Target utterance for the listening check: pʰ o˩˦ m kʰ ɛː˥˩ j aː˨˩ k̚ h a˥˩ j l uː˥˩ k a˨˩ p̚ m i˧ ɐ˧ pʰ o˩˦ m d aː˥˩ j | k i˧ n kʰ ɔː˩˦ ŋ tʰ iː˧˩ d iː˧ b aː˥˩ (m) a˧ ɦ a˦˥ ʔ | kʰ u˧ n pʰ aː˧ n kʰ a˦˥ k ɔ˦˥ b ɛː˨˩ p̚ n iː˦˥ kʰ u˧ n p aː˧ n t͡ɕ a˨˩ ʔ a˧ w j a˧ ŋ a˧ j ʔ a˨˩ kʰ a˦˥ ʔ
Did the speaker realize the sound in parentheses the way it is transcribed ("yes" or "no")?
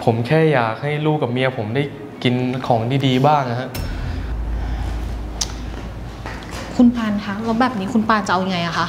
no